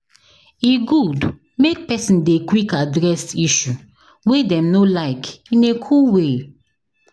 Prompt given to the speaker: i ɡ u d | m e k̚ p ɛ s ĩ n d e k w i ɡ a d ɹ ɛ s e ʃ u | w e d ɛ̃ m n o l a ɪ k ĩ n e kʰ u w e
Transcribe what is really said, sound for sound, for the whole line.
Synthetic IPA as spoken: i ɡ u d | m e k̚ p ɛ s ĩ n d e k w i k a d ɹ ɛ s i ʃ u | w e d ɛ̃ m n o l a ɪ k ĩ n e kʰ u w e